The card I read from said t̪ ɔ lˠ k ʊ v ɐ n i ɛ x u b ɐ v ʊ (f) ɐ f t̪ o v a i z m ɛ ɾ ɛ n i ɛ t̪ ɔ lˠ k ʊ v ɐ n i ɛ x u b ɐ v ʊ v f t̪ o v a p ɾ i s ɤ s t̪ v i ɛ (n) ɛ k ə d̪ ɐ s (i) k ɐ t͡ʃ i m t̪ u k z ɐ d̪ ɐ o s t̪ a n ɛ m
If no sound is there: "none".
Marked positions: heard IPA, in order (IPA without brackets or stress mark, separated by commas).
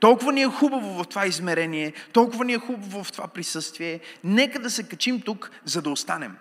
v, n, ɛ